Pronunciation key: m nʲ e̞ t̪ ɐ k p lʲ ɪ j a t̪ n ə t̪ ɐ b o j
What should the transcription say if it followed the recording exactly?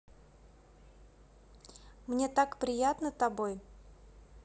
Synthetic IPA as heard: m nʲ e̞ t̪ a k p ɾʲ ɪ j a t̪ n ə t̪ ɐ b o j